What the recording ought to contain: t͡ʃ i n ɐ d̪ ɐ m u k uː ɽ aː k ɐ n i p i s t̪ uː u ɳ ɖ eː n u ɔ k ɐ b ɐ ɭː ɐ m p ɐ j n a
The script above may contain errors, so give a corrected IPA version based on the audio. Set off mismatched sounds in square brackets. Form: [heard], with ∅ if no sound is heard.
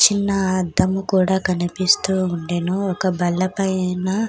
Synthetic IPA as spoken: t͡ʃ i [nː] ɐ d̪ ɐ m u k uː ɽ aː k ɐ n i p i s t̪ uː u ɳ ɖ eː n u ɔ k ɐ b ɐ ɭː ɐ [∅] p ɐ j n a